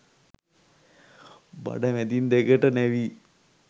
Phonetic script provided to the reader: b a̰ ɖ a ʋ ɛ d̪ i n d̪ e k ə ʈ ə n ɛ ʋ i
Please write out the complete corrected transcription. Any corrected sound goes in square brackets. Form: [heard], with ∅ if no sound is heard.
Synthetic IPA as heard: b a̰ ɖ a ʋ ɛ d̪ i n d̪ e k ə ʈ ə n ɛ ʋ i